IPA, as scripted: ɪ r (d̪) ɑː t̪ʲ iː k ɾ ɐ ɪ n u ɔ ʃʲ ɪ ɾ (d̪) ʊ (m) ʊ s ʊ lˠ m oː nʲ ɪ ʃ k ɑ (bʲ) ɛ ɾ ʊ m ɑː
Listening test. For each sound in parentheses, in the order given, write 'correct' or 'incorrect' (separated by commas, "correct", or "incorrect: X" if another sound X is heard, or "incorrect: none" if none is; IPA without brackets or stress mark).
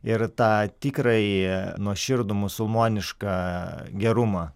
incorrect: t̪, correct, correct, incorrect: ɡʲ